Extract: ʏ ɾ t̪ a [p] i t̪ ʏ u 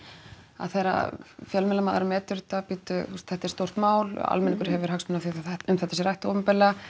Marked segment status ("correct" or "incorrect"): correct